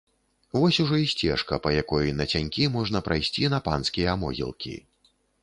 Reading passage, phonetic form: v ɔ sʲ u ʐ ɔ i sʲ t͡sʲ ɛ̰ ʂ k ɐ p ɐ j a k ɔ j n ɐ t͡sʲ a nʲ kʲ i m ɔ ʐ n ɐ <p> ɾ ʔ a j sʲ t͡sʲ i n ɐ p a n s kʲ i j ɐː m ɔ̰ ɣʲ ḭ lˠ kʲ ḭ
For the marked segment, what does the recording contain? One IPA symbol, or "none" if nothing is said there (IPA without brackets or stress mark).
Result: p